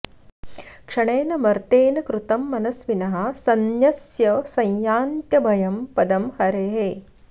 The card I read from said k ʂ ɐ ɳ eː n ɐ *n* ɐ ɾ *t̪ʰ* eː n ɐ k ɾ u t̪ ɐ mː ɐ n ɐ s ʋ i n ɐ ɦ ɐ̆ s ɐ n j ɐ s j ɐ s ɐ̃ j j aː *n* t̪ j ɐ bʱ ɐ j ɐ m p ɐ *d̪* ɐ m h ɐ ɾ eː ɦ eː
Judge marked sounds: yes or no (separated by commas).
no, no, yes, yes